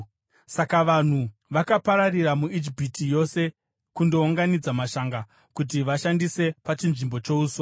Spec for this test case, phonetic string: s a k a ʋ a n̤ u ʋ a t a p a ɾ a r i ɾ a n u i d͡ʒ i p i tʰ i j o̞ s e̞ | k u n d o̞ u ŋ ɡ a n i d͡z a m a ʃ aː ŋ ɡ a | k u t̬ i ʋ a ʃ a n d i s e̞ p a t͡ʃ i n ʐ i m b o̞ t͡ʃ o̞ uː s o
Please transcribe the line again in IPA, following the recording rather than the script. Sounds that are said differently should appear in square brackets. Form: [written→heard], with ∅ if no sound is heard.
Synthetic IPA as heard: s a k a ʋ a n̤ u ʋ a [t→k] a p a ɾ a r i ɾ a [n→m] u i d͡ʒ i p i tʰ i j o̞ s e̞ | k u n d o̞ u ŋ ɡ a n i d͡z a m a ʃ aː ŋ ɡ a | k u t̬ i ʋ a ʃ a n d i s e̞ p a t͡ʃ i n ʐ i m b o̞ t͡ʃ o̞ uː s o